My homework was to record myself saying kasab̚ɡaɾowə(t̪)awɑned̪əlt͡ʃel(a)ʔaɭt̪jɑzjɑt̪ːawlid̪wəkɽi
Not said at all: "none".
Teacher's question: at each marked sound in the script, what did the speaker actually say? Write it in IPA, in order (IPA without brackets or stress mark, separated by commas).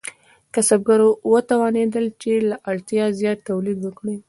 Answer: t̪, a